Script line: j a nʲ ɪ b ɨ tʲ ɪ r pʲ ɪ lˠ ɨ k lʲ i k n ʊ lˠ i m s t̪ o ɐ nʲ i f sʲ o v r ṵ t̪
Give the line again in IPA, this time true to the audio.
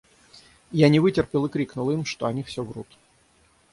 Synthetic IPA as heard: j a nʲ ɪ v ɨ tʲ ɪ r pʲ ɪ lˠ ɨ k ɾʲ i k n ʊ lˠ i m ʂ t̪ o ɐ nʲ i f sʲ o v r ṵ t̪